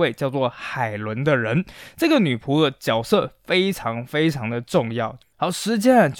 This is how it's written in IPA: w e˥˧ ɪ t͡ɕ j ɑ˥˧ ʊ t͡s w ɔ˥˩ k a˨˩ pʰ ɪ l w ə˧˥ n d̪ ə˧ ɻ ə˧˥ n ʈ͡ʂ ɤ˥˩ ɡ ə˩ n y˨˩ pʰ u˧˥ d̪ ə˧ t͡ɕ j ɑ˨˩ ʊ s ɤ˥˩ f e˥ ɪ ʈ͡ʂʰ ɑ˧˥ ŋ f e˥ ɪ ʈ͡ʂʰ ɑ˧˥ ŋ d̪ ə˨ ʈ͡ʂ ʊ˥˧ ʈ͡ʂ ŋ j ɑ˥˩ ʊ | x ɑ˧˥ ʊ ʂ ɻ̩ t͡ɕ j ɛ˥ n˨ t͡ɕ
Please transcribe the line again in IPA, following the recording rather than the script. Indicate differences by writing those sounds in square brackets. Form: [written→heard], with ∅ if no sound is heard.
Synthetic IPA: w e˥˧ ɪ t͡ɕ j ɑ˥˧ ʊ t͡s w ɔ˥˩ [k→x] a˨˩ [pʰ→∅] ɪ l w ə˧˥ n d̪ ə˧ ɻ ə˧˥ n ʈ͡ʂ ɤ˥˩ ɡ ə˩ n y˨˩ pʰ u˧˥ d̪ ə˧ t͡ɕ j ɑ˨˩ ʊ s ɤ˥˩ f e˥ ɪ ʈ͡ʂʰ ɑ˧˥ ŋ f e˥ ɪ ʈ͡ʂʰ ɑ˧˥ ŋ d̪ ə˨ ʈ͡ʂ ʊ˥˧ [ʈ͡ʂ→∅] ŋ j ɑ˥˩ ʊ | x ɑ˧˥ ʊ ʂ ɻ̩ t͡ɕ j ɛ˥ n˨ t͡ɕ